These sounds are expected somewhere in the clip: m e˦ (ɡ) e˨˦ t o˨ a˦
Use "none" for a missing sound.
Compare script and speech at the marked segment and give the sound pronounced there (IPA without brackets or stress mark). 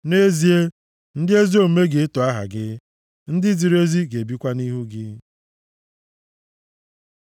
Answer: ɡ